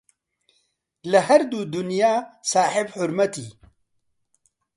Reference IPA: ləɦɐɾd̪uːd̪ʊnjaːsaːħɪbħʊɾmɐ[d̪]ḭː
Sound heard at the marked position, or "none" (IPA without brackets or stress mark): t̪